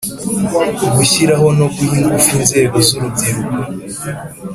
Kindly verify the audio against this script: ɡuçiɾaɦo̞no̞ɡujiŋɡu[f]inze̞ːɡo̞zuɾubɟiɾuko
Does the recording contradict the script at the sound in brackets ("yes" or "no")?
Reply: no